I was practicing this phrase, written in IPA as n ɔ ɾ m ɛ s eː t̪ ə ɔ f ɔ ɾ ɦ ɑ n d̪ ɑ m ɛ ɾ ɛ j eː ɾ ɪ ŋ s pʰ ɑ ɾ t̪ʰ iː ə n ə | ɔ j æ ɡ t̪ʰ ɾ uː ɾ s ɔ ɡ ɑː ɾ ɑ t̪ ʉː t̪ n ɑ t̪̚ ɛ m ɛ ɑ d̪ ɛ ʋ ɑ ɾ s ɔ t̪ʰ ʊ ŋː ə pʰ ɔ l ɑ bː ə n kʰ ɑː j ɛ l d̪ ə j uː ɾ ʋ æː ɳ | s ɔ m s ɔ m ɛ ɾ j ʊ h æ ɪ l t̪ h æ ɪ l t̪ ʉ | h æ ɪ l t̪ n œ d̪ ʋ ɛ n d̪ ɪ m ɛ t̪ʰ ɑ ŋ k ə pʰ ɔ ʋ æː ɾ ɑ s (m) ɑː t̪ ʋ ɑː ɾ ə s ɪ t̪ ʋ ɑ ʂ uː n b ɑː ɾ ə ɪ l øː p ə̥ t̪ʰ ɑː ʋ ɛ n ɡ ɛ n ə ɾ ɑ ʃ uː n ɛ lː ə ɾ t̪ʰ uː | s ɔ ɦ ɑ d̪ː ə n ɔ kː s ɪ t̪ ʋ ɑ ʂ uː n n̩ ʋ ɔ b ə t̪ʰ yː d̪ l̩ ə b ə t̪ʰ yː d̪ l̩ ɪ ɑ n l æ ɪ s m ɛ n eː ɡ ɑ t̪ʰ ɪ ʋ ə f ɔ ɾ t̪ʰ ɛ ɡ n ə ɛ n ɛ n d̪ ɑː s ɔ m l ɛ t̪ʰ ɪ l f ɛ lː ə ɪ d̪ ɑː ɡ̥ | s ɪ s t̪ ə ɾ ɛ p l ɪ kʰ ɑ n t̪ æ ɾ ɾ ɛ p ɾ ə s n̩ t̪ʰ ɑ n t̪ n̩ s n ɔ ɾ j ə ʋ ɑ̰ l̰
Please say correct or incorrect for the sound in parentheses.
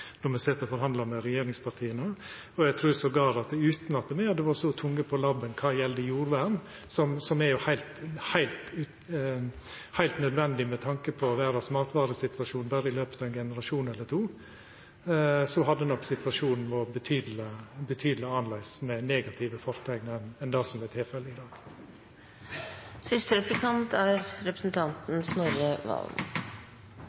correct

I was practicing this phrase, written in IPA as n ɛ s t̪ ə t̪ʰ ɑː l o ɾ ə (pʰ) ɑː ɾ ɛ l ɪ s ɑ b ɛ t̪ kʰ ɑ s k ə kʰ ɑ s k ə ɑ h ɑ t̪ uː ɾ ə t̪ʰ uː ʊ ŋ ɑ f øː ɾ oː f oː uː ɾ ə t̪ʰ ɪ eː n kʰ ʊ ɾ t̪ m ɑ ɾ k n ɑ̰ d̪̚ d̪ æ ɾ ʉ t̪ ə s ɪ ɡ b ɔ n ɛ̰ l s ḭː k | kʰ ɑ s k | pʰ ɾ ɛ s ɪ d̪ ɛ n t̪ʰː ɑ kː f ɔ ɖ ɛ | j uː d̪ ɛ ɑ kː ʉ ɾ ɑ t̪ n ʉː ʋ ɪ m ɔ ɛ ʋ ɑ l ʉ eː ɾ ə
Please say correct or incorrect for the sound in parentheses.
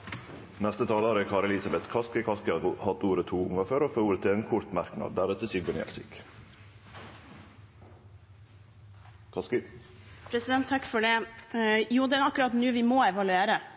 incorrect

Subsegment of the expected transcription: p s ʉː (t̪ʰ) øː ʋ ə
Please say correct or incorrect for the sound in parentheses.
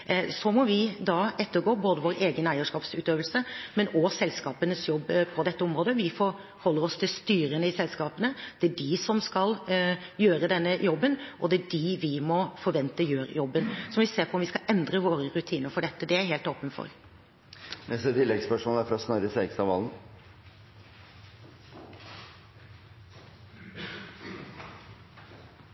incorrect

